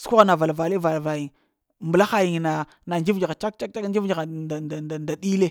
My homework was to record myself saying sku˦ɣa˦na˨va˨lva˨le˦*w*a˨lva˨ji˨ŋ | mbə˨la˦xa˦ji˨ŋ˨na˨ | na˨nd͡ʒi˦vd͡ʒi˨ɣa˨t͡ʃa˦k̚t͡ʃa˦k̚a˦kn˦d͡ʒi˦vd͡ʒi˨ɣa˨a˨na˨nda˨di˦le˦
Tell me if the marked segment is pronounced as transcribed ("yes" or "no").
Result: no